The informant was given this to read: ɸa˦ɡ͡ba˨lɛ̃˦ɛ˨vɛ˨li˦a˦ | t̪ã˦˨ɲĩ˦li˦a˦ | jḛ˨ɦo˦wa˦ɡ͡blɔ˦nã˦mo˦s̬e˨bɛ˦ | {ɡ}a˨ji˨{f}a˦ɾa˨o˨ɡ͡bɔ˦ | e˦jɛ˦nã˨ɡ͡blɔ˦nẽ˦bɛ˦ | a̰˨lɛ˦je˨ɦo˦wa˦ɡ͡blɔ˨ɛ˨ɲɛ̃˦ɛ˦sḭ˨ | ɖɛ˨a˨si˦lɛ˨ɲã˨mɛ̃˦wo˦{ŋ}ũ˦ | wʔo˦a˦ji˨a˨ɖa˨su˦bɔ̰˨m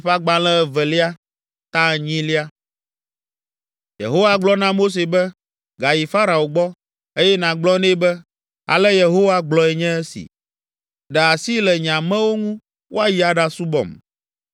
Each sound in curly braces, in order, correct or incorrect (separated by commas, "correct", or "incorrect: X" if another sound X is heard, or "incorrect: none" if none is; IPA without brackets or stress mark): correct, correct, correct